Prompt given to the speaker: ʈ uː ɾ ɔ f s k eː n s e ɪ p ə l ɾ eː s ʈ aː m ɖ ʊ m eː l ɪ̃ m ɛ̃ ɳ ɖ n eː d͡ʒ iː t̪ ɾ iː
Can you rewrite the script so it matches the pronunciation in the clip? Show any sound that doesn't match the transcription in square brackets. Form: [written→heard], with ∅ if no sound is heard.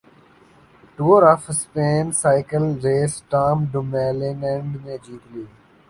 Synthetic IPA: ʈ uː ɾ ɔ f s [k→p] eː n s [e→a] ɪ [p→k] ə l ɾ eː s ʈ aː m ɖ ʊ m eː l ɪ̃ [m→n] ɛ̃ ɳ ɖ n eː d͡ʒ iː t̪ [ɾ→l] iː